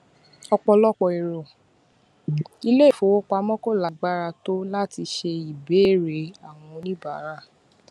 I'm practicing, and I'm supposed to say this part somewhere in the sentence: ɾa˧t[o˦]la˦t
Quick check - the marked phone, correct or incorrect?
correct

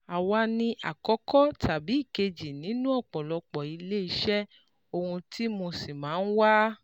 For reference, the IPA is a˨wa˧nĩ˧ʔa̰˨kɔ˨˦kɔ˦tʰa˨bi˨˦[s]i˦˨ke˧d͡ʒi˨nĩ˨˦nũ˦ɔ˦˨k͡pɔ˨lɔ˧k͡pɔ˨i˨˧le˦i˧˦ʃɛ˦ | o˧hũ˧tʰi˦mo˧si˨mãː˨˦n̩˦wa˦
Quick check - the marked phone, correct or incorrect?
incorrect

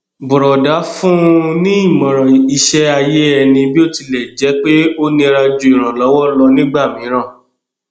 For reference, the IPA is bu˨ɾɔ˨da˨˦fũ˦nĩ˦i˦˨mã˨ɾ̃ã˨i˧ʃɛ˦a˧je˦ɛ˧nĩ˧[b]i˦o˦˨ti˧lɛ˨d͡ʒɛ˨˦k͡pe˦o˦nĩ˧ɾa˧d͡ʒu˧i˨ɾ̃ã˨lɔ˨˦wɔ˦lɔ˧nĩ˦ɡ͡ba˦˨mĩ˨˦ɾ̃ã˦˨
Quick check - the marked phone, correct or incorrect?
correct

